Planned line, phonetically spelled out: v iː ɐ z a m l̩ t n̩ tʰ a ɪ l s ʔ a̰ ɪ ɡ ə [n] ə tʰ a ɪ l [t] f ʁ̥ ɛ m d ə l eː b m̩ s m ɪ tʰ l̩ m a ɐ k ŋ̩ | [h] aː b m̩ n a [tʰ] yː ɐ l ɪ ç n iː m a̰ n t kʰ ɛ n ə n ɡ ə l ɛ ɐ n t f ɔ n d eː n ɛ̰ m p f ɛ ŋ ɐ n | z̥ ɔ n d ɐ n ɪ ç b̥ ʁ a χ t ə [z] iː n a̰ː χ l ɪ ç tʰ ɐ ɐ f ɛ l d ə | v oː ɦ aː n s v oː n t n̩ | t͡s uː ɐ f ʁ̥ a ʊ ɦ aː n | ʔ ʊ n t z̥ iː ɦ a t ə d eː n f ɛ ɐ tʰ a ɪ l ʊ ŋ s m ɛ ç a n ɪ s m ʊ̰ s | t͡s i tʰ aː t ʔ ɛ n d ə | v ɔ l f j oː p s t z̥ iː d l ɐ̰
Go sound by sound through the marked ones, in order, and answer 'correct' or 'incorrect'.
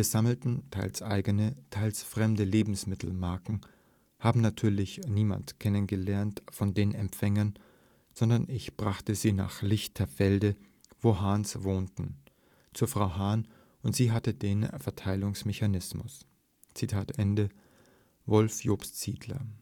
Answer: correct, incorrect, correct, correct, correct

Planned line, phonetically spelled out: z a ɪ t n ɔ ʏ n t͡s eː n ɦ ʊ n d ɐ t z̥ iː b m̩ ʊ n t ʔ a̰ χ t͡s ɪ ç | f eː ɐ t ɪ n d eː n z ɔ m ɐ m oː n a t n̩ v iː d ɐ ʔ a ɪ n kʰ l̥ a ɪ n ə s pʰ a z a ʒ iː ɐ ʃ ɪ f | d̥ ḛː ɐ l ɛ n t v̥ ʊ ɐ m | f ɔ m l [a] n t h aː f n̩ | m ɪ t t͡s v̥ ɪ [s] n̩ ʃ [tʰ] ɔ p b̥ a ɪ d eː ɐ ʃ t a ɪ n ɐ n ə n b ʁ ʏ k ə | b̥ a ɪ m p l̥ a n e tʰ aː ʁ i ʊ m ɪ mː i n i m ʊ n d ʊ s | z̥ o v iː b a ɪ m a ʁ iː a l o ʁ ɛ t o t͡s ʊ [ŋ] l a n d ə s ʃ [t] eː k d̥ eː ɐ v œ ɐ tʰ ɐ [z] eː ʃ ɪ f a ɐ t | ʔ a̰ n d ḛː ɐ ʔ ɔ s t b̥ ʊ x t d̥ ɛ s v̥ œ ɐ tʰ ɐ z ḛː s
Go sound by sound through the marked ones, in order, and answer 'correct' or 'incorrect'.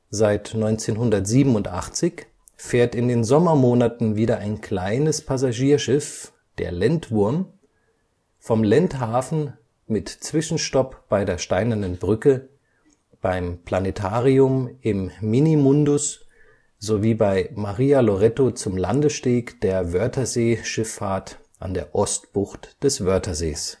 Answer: incorrect, incorrect, incorrect, incorrect, correct, correct

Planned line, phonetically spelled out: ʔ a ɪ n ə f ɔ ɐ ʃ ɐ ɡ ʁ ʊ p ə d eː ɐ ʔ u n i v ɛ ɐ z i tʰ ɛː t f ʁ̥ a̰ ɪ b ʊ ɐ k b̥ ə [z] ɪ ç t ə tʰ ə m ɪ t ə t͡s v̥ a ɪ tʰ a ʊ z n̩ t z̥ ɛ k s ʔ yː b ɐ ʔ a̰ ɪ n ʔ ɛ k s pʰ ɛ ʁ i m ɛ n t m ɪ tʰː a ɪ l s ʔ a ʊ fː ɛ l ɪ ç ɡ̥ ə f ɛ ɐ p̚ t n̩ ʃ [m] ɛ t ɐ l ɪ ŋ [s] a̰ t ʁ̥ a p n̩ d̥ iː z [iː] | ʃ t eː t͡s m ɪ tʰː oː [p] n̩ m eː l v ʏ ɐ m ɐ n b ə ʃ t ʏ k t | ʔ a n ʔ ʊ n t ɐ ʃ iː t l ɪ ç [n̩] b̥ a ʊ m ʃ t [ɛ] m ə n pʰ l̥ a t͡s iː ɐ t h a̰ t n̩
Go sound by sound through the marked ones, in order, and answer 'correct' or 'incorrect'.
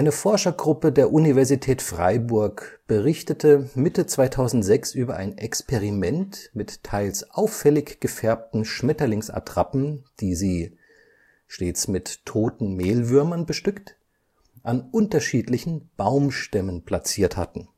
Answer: incorrect, correct, correct, correct, incorrect, correct, correct

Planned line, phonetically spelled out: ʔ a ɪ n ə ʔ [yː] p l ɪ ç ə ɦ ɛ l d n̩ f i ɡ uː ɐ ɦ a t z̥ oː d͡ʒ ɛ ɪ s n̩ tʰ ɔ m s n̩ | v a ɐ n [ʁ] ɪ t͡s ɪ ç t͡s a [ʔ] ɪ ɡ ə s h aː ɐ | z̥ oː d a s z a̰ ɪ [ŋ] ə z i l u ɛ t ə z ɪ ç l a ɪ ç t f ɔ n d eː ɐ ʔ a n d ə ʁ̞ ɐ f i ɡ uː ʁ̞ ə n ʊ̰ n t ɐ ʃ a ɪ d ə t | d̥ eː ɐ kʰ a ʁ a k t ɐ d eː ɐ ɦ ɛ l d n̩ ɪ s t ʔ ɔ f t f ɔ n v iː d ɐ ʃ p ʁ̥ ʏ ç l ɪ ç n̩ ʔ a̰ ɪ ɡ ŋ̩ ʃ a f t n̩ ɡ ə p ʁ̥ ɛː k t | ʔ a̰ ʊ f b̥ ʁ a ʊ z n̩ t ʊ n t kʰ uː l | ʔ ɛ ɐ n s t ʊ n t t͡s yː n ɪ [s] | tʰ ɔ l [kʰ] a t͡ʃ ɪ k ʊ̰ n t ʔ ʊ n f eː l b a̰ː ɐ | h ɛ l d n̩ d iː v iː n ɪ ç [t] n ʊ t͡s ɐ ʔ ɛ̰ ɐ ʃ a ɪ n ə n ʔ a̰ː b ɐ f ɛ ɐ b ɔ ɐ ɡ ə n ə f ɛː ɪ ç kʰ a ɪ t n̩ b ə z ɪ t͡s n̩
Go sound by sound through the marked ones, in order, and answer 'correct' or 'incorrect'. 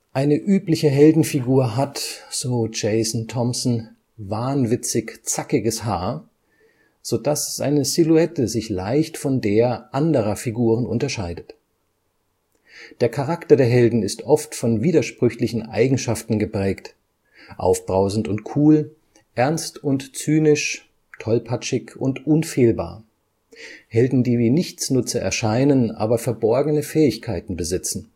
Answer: correct, incorrect, incorrect, incorrect, incorrect, incorrect, incorrect

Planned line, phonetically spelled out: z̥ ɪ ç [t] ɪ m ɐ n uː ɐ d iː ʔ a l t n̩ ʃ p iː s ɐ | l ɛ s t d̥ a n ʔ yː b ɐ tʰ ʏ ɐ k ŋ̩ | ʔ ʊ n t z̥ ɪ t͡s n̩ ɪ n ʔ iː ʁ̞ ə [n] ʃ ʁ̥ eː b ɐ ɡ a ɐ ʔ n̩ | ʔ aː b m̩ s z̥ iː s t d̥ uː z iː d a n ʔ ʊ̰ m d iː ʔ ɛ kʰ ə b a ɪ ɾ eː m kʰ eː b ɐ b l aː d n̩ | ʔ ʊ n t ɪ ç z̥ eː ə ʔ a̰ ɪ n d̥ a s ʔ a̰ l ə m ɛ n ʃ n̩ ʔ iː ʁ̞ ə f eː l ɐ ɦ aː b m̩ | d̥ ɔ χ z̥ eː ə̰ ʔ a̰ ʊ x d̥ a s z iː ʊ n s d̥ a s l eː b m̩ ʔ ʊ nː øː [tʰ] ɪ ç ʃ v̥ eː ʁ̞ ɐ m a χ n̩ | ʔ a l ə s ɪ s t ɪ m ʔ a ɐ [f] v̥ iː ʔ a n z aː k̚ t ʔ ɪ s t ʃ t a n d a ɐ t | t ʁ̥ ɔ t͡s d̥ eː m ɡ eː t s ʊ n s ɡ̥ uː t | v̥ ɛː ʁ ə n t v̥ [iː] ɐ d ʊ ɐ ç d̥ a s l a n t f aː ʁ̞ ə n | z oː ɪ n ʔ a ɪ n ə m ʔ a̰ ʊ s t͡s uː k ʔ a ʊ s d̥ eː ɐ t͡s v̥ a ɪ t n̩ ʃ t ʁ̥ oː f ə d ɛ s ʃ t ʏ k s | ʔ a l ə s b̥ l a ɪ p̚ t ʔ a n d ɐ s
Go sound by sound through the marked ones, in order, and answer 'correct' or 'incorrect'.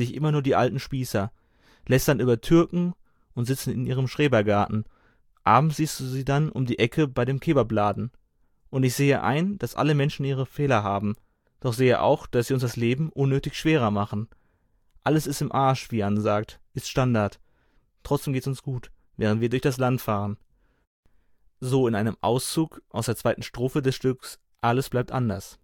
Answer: incorrect, incorrect, incorrect, incorrect, correct

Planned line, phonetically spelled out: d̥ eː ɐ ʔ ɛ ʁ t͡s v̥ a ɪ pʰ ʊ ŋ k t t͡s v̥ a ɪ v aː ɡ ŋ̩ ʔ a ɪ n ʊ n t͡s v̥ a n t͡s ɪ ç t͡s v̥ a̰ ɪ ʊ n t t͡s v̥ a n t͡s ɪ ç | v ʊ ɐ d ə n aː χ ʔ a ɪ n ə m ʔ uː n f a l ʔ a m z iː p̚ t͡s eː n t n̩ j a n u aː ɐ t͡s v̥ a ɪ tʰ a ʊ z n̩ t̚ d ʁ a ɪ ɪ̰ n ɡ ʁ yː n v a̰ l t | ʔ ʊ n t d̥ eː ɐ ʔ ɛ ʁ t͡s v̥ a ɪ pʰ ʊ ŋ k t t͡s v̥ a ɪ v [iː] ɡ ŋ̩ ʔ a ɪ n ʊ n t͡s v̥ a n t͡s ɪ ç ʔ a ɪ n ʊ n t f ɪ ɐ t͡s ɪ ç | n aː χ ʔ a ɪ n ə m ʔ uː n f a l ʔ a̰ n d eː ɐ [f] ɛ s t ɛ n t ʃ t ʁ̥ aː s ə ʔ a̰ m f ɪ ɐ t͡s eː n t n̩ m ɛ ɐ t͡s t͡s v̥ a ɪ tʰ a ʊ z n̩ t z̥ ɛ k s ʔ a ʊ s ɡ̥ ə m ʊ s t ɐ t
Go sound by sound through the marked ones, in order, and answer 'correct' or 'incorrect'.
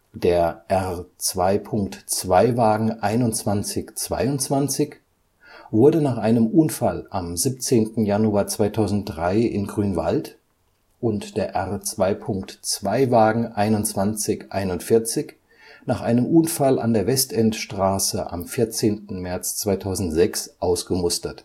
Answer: incorrect, incorrect

